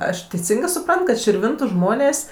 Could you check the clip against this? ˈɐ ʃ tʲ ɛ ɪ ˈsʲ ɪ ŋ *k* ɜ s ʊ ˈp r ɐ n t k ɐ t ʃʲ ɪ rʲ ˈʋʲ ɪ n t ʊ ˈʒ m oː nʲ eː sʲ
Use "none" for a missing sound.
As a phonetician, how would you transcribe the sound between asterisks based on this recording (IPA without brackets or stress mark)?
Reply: ɡ